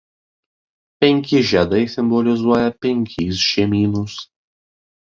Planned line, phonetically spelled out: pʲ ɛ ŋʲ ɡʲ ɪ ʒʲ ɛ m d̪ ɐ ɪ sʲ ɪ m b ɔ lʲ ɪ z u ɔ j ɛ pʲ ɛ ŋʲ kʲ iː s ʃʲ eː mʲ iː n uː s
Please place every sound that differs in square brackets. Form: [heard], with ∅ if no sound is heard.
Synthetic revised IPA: pʲ ɛ ŋʲ [kʲ] ɪ ʒʲ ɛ [∅] d̪ ɐ ɪ sʲ ɪ m b ɔ lʲ ɪ z u ɔ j ɛ pʲ ɛ ŋʲ kʲ iː s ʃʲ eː mʲ iː n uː s